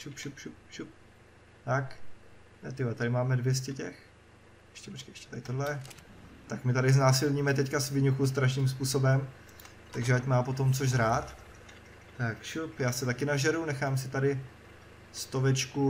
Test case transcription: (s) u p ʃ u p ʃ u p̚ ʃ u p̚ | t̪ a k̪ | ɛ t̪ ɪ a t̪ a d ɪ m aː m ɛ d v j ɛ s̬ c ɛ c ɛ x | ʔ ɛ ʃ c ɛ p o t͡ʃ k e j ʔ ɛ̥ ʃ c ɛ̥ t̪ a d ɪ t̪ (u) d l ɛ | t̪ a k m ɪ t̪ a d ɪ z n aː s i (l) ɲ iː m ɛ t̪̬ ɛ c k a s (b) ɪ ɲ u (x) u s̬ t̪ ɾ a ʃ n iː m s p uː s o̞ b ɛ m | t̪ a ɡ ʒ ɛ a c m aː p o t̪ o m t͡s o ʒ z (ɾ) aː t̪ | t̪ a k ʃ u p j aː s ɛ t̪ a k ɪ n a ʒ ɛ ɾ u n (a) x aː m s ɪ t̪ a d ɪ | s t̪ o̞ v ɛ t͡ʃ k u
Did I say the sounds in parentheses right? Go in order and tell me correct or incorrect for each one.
incorrect: ʃ, incorrect: o, correct, incorrect: v, correct, correct, incorrect: ɛ

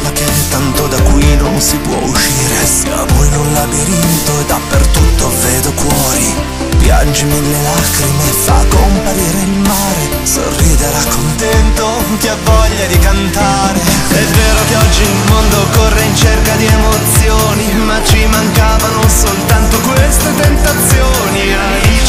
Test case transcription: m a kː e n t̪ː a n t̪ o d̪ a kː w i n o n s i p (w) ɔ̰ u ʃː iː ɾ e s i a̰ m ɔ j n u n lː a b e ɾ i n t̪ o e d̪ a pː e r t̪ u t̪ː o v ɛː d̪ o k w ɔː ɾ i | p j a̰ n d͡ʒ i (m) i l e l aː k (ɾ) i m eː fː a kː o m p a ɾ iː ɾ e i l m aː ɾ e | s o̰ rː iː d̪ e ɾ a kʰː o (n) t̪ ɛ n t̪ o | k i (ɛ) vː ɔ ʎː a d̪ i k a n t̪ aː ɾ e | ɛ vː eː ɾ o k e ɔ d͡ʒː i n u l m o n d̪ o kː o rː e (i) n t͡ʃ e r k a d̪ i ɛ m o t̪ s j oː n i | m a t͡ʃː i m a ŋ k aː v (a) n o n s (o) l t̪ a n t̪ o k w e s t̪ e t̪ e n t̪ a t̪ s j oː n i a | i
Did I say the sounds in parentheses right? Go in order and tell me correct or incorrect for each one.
correct, correct, correct, correct, incorrect: a, correct, correct, correct

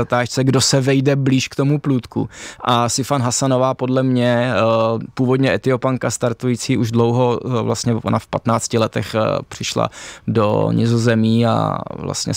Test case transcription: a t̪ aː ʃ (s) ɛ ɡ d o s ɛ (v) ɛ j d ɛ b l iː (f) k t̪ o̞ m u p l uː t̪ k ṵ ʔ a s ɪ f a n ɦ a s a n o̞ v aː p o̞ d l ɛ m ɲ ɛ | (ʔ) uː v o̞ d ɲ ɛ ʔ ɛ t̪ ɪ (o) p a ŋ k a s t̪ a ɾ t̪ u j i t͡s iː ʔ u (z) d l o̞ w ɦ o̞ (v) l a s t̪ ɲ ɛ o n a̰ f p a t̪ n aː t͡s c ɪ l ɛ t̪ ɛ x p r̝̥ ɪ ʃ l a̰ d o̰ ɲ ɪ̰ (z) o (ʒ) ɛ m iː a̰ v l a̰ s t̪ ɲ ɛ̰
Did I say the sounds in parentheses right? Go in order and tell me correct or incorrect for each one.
incorrect: t͡s, correct, incorrect: ʃ, incorrect: p, correct, incorrect: ʒ, correct, correct, incorrect: z

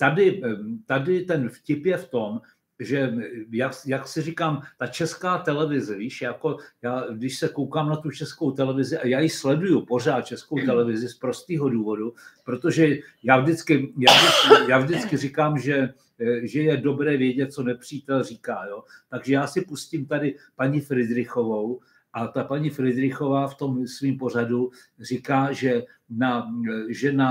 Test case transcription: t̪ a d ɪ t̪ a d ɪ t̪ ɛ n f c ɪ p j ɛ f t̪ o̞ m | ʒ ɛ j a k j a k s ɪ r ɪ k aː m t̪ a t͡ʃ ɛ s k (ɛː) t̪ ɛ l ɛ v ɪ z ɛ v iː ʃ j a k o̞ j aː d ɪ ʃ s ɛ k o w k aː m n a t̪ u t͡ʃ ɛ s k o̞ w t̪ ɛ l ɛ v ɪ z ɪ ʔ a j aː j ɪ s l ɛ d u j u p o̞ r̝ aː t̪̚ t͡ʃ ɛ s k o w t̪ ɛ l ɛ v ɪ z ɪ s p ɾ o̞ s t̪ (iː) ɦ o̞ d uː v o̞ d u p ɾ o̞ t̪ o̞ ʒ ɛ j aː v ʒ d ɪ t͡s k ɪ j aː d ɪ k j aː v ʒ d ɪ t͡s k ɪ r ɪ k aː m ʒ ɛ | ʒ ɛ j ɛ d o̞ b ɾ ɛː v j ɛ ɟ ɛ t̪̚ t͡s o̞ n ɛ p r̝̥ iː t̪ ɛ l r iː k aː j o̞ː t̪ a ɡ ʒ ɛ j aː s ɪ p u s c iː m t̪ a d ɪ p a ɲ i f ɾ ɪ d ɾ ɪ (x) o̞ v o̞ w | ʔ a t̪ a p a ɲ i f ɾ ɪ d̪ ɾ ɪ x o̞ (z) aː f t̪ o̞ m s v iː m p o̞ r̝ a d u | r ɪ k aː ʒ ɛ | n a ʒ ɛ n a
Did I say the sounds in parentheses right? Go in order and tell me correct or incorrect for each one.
incorrect: aː, correct, correct, incorrect: v

